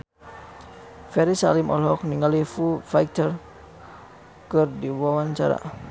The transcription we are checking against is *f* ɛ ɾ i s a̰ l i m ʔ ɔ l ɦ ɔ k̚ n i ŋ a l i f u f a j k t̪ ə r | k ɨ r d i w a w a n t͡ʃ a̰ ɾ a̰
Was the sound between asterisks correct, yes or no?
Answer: yes